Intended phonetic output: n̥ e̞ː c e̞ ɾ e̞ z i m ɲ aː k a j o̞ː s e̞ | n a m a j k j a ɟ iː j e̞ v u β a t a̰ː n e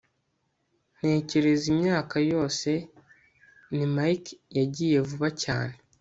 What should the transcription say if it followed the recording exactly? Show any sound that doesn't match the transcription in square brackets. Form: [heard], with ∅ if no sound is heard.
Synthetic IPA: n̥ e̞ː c e̞ ɾ e̞ z i m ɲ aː k a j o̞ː s e̞ | n [i] m a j k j a ɟ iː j e̞ v u β a [c] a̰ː n e